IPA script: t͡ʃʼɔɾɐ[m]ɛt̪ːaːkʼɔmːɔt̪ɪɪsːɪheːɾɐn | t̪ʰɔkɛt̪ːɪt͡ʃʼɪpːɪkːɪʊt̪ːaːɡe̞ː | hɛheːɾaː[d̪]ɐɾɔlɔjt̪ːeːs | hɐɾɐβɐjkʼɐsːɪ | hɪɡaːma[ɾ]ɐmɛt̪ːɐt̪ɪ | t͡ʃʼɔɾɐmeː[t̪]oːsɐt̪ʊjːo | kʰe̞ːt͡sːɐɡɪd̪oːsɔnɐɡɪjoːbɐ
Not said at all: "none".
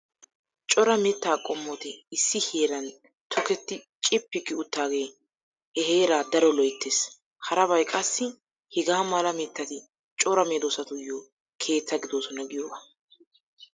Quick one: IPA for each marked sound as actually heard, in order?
m, d̪, l, d̪

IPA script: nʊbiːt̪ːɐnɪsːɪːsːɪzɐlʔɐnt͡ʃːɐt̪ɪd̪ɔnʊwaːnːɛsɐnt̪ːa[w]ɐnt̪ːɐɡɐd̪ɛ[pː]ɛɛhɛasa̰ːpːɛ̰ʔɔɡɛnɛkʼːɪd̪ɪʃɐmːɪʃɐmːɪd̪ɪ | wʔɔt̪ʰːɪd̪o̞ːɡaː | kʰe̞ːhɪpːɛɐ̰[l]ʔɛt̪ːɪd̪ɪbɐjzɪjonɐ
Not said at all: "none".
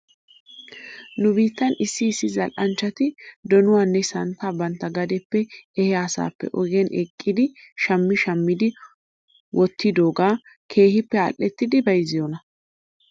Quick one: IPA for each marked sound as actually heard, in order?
b, pː, l

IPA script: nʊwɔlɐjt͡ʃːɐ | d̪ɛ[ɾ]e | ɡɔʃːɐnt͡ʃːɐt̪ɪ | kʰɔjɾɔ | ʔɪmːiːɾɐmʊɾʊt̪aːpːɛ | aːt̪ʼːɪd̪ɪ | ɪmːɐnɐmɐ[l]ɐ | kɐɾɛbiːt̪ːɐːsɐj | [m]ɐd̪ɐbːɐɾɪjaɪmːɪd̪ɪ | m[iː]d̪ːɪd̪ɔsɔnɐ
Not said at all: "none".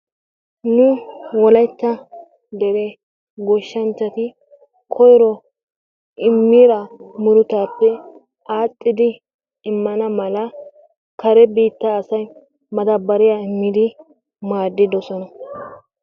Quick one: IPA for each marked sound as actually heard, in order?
ɾ, l, m, aː

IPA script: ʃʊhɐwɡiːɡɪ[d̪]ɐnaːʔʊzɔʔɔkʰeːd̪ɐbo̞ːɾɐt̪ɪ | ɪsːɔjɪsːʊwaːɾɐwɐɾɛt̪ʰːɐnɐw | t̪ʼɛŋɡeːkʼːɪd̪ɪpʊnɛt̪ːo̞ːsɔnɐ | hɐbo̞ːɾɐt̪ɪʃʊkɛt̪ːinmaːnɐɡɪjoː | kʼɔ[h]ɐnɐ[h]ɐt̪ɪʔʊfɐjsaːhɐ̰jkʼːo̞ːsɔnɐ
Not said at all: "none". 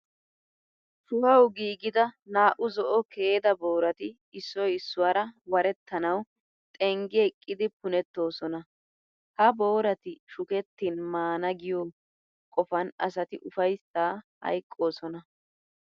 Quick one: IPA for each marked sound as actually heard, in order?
d̪, f, s

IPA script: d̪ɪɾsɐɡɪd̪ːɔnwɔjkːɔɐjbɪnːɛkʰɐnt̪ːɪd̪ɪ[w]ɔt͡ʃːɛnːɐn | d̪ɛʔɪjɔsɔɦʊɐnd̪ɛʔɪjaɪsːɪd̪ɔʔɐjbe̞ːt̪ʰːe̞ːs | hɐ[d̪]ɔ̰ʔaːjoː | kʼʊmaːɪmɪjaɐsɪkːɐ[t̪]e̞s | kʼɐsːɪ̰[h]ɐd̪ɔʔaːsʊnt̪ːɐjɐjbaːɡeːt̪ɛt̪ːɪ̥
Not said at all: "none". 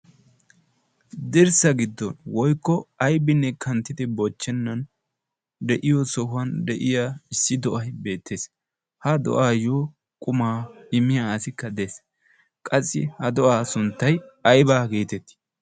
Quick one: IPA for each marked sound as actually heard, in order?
b, d̪, d̪, h

